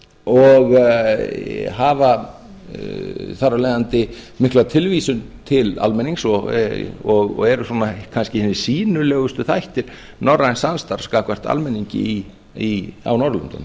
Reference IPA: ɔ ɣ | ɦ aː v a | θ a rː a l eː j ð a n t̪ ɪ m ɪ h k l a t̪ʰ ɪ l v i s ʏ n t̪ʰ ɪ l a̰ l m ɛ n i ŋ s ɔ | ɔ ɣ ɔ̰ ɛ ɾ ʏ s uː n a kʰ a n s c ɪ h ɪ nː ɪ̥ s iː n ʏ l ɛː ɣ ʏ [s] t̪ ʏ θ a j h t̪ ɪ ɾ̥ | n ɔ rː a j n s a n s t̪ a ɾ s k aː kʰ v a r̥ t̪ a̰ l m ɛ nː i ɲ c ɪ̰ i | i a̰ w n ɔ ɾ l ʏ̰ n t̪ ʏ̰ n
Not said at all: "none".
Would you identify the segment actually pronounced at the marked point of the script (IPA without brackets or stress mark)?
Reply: s